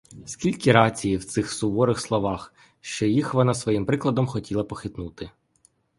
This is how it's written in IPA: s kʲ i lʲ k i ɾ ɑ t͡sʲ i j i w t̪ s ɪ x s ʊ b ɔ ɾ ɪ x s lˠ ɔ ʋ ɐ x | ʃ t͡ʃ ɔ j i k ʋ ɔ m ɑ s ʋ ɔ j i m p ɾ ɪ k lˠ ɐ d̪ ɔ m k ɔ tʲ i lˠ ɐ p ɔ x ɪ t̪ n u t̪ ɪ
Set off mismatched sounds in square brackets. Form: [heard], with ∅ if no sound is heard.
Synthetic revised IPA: s kʲ i lʲ k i ɾ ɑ t͡sʲ i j i w t̪ s ɪ x s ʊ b ɔ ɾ ɪ x s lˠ ɔ ʋ [ɑ] x | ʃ t͡ʃ ɔ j i [x] ʋ ɔ [n] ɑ s ʋ ɔ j i m p ɾ ɪ k lˠ ɐ d̪ ɔ m [x] ɔ tʲ i lˠ ɐ p ɔ x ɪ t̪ n u t̪ ɪ